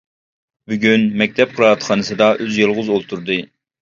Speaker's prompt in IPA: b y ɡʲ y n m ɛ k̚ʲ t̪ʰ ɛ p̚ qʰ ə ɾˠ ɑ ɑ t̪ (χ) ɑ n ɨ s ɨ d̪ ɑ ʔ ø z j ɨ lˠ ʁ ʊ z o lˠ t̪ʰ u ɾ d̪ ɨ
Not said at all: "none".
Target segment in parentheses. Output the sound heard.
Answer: χ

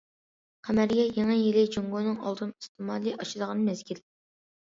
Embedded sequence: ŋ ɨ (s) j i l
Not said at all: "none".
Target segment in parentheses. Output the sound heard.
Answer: none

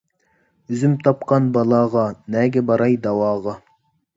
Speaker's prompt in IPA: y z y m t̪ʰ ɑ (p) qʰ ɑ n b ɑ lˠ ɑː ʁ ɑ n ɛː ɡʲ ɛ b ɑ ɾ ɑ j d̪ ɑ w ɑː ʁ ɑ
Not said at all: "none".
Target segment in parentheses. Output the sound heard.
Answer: p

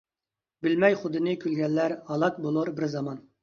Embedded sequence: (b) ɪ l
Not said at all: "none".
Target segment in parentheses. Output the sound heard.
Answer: b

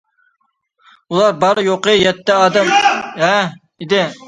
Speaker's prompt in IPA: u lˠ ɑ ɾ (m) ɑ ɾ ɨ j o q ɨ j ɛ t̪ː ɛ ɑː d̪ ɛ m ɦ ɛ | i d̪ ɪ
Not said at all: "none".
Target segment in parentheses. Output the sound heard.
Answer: b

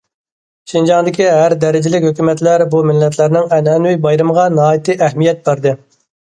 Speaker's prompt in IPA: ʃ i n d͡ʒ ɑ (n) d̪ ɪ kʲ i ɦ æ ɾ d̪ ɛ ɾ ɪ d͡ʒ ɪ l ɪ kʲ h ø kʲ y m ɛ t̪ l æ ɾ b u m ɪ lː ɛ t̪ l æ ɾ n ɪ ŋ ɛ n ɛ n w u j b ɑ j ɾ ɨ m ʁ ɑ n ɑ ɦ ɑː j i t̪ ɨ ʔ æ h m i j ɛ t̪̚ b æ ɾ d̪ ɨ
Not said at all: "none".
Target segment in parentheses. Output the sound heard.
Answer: ŋ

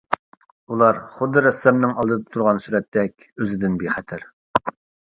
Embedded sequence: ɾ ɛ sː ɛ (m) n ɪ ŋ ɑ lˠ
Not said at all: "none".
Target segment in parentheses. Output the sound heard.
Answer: m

